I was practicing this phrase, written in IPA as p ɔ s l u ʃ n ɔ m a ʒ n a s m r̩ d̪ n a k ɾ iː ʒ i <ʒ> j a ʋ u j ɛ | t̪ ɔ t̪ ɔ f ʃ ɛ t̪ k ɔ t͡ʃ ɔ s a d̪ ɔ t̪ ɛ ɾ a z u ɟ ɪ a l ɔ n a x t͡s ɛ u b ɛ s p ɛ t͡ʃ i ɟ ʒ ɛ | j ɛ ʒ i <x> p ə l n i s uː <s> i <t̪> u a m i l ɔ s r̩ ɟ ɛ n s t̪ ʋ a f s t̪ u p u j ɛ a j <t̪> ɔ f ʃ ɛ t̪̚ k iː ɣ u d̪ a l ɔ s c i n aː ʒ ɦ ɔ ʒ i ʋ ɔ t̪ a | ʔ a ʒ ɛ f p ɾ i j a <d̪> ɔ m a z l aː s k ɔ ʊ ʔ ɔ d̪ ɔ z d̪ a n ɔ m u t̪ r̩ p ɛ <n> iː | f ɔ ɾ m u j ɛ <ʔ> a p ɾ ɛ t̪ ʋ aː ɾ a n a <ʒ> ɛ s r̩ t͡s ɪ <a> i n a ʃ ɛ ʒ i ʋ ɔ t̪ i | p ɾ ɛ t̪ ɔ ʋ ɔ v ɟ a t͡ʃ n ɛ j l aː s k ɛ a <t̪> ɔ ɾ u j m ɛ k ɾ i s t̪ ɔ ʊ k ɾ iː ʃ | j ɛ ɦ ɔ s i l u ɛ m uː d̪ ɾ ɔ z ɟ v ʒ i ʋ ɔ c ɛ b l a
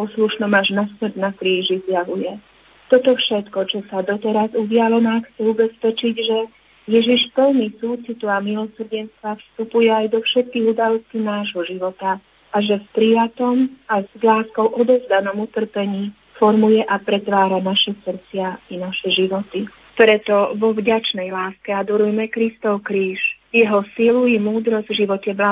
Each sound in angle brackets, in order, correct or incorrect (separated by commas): incorrect, incorrect, incorrect, correct, incorrect, incorrect, incorrect, correct, incorrect, correct, incorrect